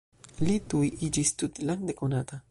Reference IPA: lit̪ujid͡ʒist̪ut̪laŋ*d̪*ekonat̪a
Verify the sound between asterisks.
correct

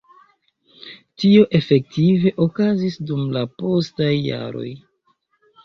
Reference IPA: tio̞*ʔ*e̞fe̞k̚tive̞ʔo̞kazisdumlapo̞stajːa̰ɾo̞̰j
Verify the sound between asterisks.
correct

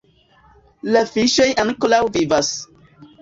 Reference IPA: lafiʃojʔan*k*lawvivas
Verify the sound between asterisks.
correct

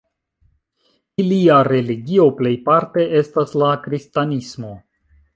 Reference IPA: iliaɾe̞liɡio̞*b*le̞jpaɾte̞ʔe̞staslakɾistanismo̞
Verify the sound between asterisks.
incorrect: p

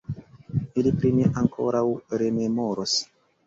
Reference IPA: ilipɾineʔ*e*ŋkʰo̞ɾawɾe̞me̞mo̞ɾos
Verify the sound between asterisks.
incorrect: a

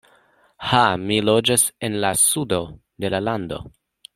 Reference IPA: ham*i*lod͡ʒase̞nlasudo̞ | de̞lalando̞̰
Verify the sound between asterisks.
correct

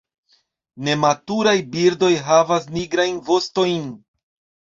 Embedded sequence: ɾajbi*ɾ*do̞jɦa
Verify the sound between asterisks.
correct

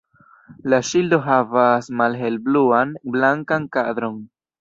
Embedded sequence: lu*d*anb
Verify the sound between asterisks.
incorrect: none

